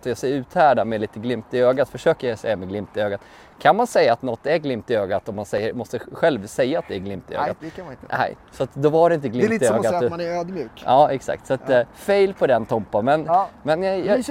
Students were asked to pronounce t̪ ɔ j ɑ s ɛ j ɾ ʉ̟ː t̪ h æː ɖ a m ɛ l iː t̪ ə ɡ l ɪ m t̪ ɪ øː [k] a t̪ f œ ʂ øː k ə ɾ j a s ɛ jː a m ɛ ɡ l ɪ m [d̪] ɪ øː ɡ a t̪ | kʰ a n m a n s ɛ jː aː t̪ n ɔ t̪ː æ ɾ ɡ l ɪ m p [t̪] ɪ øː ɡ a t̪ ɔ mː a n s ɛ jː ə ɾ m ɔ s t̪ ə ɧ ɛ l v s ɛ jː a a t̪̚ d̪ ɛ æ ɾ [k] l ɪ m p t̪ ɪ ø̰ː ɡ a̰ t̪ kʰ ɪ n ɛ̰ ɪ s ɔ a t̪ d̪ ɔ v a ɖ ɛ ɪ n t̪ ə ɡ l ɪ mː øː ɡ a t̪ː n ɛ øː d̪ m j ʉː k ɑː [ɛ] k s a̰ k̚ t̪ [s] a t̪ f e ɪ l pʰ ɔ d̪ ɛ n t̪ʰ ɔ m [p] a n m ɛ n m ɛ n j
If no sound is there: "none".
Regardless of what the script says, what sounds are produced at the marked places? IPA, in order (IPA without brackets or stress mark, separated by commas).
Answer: ɡ, t̪, t̪, ɡ, ɛ, s, p